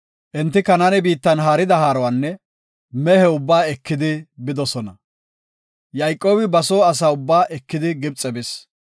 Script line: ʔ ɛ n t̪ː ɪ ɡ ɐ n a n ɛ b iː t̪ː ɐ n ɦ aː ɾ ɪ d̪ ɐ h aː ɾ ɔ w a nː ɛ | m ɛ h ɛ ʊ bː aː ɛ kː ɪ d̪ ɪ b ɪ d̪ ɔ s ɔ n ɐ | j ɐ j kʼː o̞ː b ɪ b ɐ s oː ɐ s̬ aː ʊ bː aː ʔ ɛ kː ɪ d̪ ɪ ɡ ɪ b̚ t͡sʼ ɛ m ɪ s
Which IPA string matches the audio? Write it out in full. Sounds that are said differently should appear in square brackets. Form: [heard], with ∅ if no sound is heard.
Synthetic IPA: ʔ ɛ n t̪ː ɪ [k] ɐ n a n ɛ b iː t̪ː ɐ n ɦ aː ɾ ɪ d̪ ɐ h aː ɾ ɔ w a nː ɛ | m ɛ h ɛ ʊ bː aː ɛ kː ɪ d̪ ɪ b ɪ d̪ ɔ s ɔ n ɐ | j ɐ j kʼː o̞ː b ɪ b ɐ s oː ɐ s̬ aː ʊ bː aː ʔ ɛ kː ɪ d̪ ɪ ɡ ɪ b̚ t͡sʼ ɛ [b] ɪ s

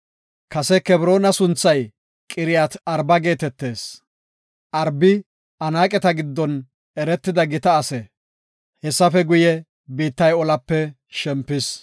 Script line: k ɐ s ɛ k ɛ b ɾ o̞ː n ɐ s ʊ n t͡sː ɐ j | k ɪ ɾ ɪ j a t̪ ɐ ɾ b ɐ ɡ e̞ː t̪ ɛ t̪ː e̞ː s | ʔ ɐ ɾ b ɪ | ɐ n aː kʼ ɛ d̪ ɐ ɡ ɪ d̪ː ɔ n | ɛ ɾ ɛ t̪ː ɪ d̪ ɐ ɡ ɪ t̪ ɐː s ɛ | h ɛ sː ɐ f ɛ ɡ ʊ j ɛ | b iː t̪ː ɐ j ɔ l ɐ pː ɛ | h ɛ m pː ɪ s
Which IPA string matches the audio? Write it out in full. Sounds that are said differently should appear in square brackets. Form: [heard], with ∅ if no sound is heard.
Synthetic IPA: k ɐ s ɛ k ɛ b ɾ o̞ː n ɐ s ʊ n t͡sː ɐ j | [kʼ] ɪ ɾ ɪ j a t̪ ɐ ɾ b ɐ ɡ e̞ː t̪ ɛ t̪ː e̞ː s | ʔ ɐ ɾ b ɪ | ɐ n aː kʼ ɛ [t̪] ɐ ɡ ɪ d̪ː ɔ n | ɛ ɾ ɛ t̪ː ɪ d̪ ɐ ɡ ɪ t̪ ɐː s ɛ | h ɛ sː ɐ f ɛ ɡ ʊ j ɛ | b iː t̪ː ɐ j ɔ l ɐ pː ɛ | [ʃ] ɛ m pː ɪ s

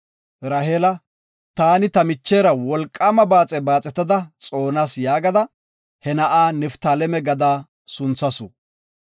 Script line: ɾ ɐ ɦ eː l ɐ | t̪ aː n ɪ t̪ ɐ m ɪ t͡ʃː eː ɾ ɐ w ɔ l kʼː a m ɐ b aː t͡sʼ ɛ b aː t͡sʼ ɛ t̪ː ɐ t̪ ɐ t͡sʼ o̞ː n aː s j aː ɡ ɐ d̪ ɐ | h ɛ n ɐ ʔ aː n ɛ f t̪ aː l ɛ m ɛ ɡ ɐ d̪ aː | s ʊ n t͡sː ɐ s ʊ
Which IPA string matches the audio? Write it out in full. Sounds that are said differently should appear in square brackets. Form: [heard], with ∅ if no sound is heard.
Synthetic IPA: ɾ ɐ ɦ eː l ɐ | t̪ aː n ɪ t̪ ɐ m ɪ t͡ʃː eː ɾ ɐ w ɔ l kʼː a m ɐ b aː t͡sʼ ɛ b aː t͡sʼ ɛ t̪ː ɐ [d̪] ɐ t͡sʼ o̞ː n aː s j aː ɡ ɐ d̪ ɐ | h ɛ n ɐ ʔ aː n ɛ f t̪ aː l ɛ m ɛ ɡ ɐ d̪ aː | s ʊ n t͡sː ɐ s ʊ

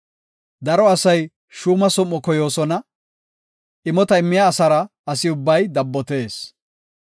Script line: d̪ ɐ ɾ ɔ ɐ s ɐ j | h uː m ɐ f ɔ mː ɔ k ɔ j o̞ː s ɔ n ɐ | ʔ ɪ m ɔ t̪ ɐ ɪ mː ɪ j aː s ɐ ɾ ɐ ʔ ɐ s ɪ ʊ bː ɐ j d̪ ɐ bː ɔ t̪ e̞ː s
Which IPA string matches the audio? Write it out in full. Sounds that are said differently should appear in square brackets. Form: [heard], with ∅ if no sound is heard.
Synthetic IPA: d̪ ɐ ɾ ɔ ɐ s ɐ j | [ʃ] uː m ɐ [s] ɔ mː ɔ k ɔ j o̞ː s ɔ n ɐ | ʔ ɪ m ɔ t̪ ɐ ɪ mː ɪ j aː s ɐ ɾ ɐ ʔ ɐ s ɪ ʊ bː ɐ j d̪ ɐ bː ɔ t̪ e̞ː s

